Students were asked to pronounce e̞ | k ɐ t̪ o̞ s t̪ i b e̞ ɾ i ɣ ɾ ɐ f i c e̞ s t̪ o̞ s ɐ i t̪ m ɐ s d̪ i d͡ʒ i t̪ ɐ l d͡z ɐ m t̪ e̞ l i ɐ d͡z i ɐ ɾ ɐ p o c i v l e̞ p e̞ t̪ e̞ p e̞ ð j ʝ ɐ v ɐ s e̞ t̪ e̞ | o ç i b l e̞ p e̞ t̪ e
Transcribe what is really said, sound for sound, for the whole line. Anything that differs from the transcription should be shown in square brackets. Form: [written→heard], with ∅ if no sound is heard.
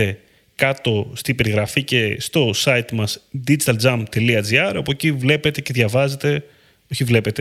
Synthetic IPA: e̞ | k ɐ t̪ o̞ s t̪ i b e̞ ɾ i ɣ ɾ ɐ f i c e̞ s t̪ o̞ s ɐ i t̪ m ɐ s d̪ i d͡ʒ i t̪ ɐ l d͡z ɐ m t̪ e̞ l i ɐ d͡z i ɐ ɾ ɐ p o c i v l e̞ p e̞ t̪ e̞ [p→c] e̞ ð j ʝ ɐ v ɐ [s→z] e̞ t̪ e̞ | o ç i [b→v] l e̞ p e̞ t̪ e